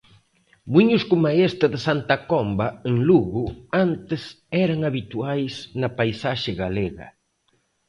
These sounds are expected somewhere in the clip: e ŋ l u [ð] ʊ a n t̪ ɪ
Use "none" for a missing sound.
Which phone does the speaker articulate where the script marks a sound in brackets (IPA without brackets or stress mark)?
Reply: ɣ